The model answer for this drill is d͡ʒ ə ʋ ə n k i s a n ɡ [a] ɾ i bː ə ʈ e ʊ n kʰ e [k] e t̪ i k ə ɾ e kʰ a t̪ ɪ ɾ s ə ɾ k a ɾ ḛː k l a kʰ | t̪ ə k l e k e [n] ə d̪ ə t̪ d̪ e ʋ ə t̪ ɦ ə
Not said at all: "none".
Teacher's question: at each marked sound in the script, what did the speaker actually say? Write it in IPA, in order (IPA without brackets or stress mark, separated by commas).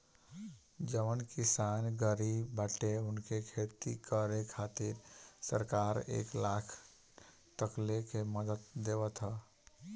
ə, kʰ, m